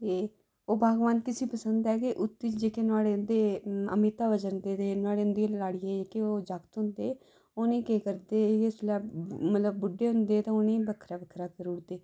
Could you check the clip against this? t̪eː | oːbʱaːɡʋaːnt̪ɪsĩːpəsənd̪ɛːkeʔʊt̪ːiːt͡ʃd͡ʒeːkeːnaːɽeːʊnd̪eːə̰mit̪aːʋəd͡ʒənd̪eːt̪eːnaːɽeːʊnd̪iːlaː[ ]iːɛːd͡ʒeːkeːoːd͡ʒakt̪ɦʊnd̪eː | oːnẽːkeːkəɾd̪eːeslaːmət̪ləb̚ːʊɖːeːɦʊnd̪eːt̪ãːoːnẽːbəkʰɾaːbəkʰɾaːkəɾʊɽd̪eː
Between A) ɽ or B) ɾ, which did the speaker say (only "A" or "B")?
A